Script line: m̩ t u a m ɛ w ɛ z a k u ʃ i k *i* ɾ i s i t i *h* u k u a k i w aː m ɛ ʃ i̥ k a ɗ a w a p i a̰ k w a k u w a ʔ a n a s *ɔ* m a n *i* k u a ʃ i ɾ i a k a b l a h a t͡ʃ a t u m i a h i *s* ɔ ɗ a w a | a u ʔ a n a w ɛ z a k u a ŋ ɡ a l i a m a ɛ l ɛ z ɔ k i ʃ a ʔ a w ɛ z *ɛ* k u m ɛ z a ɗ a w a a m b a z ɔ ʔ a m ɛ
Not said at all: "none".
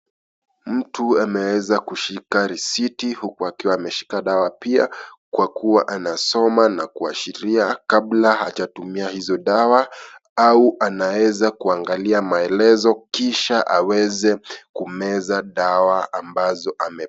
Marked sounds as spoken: a, h, ɔ, a, z, ɛ

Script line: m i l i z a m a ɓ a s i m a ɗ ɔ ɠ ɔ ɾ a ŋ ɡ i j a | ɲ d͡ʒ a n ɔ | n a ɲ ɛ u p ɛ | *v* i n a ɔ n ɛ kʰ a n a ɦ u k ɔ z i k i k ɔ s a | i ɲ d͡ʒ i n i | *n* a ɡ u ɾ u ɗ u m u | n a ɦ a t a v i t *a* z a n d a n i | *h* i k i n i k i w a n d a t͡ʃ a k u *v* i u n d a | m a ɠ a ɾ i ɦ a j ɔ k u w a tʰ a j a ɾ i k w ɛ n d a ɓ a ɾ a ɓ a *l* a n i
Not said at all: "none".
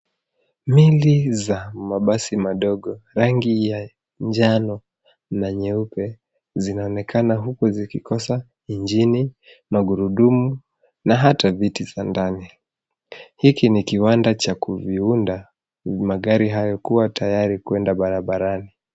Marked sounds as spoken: z, m, i, h, v, ɾ

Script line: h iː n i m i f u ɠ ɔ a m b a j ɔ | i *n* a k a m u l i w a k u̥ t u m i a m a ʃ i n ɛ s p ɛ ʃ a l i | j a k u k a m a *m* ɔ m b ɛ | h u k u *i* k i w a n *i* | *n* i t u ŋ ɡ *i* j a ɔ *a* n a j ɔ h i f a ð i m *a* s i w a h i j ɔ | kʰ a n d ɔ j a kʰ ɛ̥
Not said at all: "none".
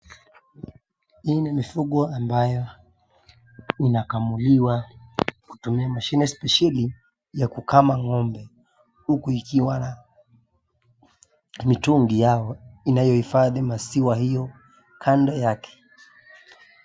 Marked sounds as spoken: n, ŋ, i, a, m, i, i, a

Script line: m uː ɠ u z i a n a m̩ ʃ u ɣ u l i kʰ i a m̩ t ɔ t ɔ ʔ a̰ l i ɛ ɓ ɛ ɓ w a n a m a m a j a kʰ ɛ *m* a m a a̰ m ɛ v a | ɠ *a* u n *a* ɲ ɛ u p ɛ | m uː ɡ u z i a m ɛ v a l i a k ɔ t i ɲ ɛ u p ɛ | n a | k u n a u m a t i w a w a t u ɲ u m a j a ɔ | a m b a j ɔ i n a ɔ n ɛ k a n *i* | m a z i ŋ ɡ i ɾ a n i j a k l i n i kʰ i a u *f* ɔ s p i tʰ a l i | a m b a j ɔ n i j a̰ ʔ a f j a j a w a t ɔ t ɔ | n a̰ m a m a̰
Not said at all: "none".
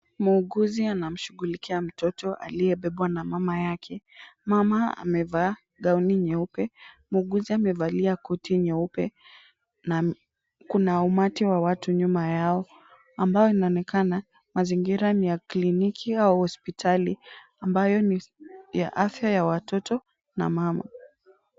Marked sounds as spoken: m, a, i, a, h

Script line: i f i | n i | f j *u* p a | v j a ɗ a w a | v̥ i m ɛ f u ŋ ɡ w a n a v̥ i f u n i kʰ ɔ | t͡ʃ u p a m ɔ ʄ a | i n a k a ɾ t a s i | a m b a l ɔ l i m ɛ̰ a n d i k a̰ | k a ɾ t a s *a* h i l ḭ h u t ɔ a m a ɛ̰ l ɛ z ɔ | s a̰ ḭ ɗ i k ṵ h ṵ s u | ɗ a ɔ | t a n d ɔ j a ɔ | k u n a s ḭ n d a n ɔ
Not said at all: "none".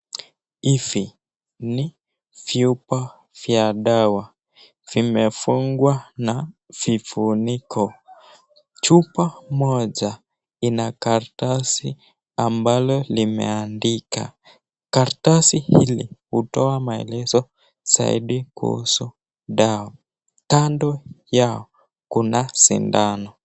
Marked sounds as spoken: u, i

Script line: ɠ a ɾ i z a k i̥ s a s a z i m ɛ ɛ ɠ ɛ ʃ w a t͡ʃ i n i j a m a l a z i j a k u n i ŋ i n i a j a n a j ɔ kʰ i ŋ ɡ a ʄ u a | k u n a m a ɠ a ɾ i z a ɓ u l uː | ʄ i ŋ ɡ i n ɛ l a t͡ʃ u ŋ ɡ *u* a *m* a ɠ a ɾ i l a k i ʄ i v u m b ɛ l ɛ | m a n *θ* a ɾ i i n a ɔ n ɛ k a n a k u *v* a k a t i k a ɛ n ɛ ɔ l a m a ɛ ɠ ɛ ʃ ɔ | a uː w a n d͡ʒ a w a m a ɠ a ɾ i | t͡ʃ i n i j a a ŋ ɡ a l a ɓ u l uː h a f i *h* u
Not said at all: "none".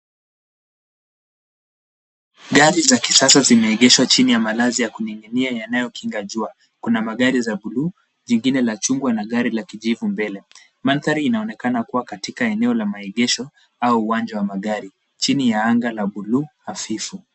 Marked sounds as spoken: w, n, θ, w, f

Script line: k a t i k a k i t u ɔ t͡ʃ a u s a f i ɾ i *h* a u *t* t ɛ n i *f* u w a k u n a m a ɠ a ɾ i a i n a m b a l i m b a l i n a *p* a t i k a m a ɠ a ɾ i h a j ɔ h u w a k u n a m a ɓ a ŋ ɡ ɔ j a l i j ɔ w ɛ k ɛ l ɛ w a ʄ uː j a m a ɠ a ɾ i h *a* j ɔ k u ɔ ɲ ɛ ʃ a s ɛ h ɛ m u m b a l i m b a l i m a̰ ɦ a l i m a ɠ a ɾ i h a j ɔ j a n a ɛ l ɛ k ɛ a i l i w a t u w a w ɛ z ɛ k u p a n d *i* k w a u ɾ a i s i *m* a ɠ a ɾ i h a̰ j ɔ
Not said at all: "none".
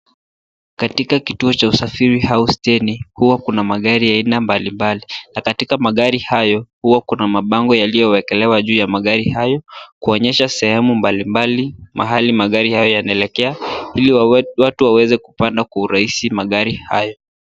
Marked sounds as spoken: h, s, h, k, a, a, m

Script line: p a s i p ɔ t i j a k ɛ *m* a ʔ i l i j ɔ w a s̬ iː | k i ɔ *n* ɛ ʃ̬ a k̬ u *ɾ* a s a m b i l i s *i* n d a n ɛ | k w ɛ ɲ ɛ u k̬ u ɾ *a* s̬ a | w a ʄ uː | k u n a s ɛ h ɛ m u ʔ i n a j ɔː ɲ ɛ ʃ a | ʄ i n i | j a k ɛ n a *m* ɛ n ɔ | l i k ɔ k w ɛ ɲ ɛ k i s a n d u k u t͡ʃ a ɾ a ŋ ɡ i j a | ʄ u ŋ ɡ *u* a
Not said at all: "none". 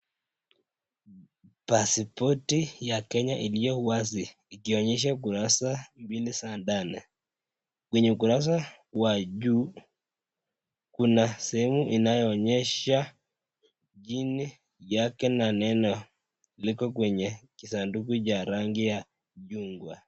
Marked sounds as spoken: ɲ, ɲ, ɾ, a, a, n, w

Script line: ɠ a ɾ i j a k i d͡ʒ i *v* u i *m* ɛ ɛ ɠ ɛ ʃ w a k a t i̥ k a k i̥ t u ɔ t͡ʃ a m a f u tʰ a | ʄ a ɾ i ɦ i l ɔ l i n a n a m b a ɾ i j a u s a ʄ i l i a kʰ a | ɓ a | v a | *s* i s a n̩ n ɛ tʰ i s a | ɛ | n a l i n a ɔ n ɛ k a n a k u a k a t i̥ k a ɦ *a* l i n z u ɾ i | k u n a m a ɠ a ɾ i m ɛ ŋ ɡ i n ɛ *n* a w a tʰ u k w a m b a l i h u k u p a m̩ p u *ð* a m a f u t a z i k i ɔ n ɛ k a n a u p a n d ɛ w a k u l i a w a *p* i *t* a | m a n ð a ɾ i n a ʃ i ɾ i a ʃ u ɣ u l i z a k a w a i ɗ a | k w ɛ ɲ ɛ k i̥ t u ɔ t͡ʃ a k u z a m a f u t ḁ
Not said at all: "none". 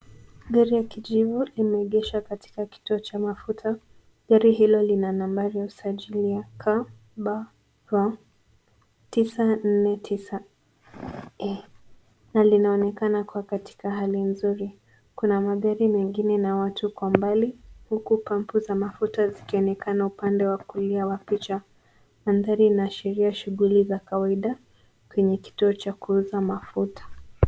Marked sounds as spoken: v, m, t, a, n, z, p, t͡ʃ

